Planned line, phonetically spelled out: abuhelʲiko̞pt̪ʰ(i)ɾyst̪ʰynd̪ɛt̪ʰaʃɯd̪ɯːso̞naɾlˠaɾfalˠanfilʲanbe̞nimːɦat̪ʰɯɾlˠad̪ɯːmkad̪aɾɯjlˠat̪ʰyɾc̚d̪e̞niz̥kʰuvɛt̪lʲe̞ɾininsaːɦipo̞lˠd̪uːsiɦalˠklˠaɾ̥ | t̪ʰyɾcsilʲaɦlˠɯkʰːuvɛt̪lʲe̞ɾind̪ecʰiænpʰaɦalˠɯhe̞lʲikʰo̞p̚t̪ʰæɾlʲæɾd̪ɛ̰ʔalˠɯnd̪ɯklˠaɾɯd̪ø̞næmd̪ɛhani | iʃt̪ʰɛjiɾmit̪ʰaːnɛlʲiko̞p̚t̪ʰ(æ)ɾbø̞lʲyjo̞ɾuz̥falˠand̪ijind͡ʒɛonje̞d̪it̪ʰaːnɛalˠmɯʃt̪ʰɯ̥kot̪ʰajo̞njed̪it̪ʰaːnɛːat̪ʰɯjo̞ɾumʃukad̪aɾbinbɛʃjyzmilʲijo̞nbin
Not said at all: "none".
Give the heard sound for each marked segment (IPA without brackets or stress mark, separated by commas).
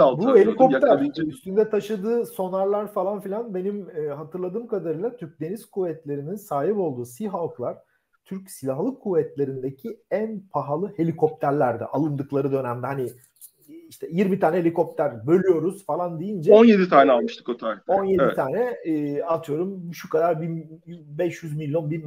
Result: æ, æ